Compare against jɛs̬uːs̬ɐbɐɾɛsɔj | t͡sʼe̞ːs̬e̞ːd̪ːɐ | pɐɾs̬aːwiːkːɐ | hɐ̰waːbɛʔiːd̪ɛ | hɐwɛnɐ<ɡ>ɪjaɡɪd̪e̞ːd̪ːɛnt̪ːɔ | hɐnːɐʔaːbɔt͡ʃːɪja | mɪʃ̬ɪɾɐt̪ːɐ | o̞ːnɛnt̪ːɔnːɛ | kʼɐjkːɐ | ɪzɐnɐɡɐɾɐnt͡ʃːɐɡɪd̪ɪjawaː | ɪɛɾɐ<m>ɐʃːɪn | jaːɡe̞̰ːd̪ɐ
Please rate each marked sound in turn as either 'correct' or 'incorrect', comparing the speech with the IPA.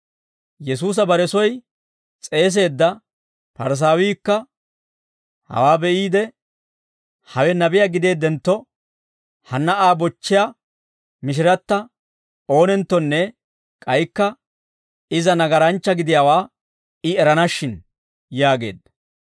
incorrect, incorrect

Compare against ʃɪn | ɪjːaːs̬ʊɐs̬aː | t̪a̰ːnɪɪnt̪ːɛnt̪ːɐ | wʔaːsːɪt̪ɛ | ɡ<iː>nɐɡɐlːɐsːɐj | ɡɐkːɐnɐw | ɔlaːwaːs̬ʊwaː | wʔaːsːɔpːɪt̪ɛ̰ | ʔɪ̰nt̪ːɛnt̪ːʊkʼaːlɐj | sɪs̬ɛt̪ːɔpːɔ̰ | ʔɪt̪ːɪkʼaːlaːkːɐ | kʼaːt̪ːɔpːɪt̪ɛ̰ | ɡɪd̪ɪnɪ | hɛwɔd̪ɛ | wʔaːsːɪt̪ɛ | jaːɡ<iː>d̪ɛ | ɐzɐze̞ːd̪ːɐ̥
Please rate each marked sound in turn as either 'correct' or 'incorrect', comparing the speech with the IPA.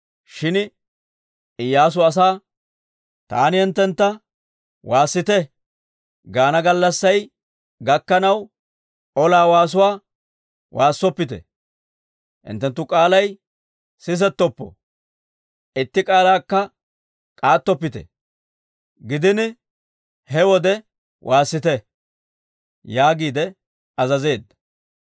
incorrect, correct

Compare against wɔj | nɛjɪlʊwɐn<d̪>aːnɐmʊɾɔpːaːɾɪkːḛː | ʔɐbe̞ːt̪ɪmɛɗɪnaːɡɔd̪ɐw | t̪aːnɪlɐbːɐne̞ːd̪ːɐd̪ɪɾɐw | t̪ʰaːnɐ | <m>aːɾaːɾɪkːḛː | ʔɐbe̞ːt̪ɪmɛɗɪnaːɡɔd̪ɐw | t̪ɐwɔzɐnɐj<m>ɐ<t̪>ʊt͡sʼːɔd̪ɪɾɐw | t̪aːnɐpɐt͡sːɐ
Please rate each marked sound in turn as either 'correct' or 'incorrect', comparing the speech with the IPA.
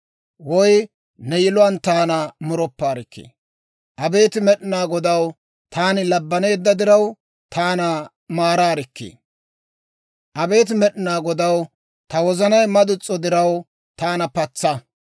incorrect, correct, correct, incorrect

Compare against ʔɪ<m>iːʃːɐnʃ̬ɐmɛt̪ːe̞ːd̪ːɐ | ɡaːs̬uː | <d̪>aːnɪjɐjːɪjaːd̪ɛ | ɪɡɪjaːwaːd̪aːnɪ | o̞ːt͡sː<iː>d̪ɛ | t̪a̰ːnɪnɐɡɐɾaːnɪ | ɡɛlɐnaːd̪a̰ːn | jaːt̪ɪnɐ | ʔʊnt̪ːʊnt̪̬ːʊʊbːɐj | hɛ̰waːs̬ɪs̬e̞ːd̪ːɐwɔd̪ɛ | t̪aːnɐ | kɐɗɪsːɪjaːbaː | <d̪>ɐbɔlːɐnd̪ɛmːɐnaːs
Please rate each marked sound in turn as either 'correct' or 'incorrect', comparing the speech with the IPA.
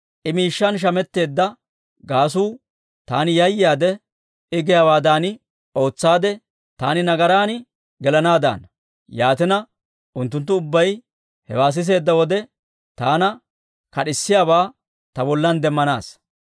correct, incorrect, incorrect, incorrect

